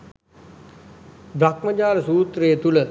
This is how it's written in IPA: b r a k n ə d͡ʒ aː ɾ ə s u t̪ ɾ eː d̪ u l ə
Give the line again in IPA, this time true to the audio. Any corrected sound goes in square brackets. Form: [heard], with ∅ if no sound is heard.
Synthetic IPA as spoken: b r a k [m] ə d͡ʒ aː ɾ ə s [uː] t̪ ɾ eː [t̪] u l ə